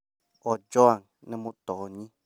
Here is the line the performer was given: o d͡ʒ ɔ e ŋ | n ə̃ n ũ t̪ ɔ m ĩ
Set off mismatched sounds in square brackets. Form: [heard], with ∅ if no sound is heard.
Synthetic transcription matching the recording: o d͡ʒ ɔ [a] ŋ | n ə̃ [m] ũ t̪ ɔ [ɲ] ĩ